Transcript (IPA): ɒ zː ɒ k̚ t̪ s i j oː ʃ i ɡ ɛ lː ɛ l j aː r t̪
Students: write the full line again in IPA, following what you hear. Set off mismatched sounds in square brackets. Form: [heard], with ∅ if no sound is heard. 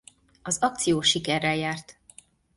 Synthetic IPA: ɒ [z] ɒ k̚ t̪ s i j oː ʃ i [k] ɛ [rː] ɛ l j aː r t̪